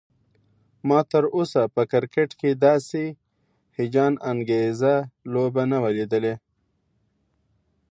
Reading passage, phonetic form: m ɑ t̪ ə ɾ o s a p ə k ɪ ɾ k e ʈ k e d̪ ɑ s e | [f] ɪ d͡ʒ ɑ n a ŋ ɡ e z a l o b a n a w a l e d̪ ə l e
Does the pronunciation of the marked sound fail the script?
yes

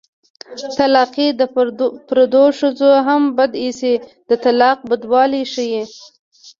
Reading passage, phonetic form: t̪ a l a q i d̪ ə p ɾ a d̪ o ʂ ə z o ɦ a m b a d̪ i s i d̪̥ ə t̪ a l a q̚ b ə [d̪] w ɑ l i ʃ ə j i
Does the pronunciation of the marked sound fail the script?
no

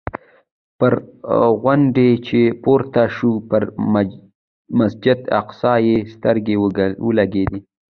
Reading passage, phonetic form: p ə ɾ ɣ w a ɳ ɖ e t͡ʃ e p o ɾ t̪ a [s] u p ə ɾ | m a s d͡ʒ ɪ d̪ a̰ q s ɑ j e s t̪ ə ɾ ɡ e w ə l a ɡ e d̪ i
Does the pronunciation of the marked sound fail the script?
yes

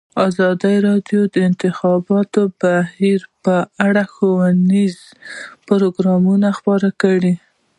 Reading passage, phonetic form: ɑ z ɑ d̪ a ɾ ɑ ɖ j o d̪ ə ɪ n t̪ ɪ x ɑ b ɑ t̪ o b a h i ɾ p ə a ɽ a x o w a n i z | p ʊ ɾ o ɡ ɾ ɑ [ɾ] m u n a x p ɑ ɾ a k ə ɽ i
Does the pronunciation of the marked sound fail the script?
yes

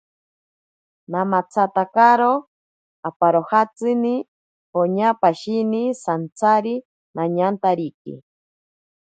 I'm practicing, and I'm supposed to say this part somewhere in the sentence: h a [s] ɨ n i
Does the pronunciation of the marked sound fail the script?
yes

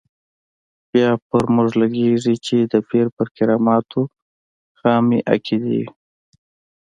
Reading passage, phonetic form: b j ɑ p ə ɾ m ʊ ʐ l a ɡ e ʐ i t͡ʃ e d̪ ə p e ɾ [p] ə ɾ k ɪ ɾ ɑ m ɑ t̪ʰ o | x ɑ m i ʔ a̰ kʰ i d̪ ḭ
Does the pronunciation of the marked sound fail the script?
no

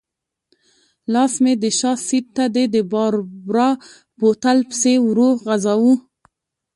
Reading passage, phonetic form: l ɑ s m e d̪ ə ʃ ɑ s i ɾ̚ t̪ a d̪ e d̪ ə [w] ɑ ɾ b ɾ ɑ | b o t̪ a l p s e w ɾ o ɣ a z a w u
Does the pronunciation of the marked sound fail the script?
yes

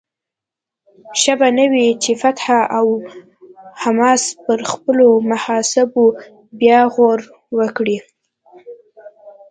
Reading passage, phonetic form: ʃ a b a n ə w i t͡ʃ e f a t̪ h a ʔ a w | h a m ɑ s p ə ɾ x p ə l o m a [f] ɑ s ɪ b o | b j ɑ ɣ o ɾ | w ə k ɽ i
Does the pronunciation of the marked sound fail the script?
yes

